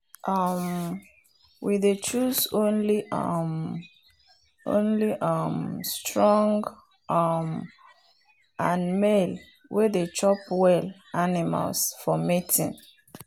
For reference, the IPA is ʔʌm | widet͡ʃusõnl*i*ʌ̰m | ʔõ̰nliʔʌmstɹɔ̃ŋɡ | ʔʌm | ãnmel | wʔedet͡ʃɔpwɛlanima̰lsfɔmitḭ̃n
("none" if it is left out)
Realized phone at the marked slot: i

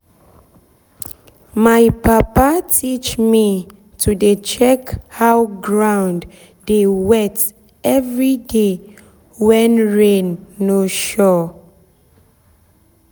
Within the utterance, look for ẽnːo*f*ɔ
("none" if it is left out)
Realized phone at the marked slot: ʃ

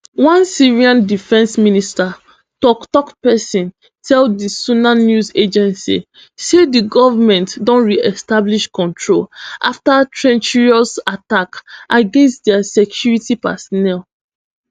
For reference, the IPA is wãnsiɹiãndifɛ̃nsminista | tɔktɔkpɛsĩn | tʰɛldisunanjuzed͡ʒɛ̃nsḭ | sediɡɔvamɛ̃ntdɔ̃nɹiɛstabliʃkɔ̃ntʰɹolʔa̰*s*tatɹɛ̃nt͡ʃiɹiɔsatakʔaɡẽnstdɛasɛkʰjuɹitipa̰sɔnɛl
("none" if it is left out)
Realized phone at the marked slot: f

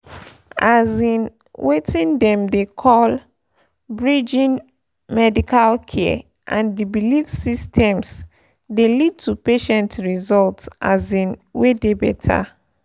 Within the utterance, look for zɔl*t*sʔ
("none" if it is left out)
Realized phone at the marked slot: t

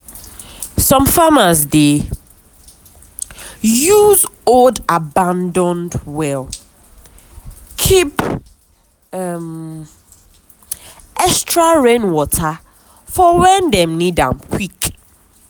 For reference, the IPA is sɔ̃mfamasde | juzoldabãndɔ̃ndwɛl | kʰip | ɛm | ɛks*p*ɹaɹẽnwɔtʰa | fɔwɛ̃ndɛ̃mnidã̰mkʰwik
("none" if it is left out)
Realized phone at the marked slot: t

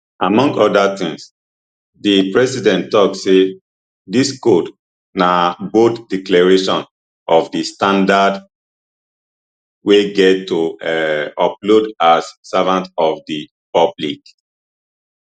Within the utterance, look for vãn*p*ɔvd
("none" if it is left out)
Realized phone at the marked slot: t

